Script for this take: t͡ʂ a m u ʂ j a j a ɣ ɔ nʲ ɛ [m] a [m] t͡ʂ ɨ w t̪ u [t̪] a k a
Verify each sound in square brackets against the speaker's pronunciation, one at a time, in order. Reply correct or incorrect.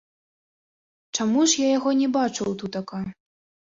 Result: incorrect, incorrect, correct

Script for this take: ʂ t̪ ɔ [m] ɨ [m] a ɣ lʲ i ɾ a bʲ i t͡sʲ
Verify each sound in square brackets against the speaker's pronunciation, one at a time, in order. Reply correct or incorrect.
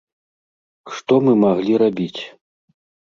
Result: correct, correct

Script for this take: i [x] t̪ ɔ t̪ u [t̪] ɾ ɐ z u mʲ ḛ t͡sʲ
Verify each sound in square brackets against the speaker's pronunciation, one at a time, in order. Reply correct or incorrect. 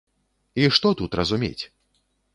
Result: incorrect, correct

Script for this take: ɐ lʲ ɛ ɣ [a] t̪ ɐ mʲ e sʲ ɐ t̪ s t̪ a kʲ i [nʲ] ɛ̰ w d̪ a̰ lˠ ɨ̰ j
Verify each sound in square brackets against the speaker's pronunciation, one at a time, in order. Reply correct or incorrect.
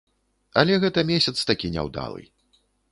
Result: incorrect, correct

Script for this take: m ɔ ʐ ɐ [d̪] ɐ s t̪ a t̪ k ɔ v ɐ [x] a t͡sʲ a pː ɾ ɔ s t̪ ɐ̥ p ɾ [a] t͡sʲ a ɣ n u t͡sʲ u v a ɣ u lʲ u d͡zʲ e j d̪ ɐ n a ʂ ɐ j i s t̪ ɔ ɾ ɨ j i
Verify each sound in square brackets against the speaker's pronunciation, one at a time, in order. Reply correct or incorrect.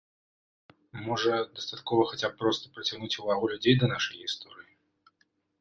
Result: correct, correct, incorrect

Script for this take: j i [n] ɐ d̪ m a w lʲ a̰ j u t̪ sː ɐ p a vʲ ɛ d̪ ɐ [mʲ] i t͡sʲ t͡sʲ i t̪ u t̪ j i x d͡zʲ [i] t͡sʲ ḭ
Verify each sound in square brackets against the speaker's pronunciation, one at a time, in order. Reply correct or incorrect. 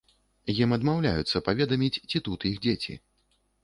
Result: incorrect, correct, incorrect

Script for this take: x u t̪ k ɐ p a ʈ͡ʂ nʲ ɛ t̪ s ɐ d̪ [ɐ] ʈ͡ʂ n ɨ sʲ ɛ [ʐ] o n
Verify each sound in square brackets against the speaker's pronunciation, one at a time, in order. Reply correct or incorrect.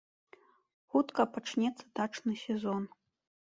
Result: incorrect, incorrect

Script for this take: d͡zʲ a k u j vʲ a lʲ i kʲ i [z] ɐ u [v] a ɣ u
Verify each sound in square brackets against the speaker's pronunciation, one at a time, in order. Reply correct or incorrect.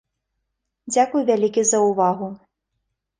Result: correct, correct

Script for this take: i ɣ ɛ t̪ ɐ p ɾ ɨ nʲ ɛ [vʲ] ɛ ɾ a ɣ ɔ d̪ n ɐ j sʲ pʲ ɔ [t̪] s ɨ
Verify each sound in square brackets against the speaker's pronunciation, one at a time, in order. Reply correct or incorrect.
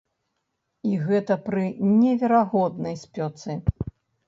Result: correct, correct

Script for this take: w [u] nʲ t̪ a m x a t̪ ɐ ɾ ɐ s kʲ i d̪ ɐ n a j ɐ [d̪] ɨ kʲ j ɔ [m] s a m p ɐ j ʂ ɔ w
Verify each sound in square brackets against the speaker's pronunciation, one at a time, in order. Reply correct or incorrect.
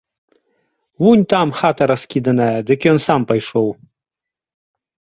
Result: correct, correct, incorrect

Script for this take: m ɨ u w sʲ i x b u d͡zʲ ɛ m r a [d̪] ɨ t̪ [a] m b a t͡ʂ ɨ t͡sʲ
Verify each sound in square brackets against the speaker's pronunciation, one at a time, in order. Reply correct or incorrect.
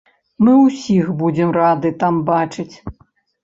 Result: correct, correct

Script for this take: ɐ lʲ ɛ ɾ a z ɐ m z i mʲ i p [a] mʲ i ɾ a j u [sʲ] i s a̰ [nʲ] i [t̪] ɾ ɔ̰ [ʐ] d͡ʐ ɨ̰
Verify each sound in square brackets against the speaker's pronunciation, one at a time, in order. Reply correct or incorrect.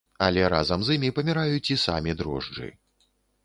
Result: incorrect, incorrect, incorrect, incorrect, correct

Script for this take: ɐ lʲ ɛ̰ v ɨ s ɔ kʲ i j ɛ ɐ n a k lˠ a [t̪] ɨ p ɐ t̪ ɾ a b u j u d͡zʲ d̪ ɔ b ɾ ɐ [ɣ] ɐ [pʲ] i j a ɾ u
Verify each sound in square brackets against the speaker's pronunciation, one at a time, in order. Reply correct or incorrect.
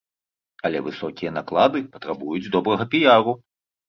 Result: incorrect, correct, correct

